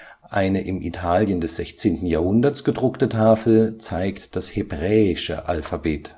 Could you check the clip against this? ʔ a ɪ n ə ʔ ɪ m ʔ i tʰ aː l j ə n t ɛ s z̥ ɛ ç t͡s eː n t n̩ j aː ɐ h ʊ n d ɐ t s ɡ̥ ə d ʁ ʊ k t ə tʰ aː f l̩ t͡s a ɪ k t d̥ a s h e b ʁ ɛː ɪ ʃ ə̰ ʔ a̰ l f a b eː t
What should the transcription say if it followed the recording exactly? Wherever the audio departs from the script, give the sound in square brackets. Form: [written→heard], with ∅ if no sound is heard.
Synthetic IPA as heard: ʔ a ɪ n ə ʔ ɪ m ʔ i tʰ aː l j ə n [t→d] ɛ s z̥ ɛ ç t͡s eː n t n̩ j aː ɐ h ʊ n d ɐ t s ɡ̥ ə d ʁ ʊ k t ə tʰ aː f l̩ t͡s a ɪ k t d̥ a s h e b ʁ ɛː ɪ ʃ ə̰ ʔ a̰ l f a b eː t

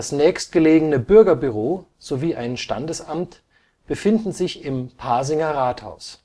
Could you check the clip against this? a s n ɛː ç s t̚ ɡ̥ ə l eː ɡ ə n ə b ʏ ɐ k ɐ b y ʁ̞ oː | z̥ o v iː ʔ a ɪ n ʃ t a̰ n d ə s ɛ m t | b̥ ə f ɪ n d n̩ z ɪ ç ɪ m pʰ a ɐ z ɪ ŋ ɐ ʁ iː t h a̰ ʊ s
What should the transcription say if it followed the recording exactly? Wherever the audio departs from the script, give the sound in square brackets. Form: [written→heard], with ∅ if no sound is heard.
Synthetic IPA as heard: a s n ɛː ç s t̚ ɡ̥ ə l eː ɡ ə n ə b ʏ ɐ [k→ɡ] ɐ b y ʁ̞ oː | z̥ o v iː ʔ a ɪ n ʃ t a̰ n d ə s [ɛ→a] m t | b̥ ə f ɪ n d n̩ z ɪ ç ɪ m pʰ a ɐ z ɪ ŋ ɐ ʁ [iː→aː] t h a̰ ʊ s

